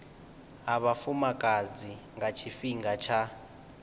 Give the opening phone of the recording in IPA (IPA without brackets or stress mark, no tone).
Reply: a